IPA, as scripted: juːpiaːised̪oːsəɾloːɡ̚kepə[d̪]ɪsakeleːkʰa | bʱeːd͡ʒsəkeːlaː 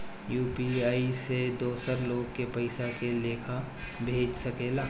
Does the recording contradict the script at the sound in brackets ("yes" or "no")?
yes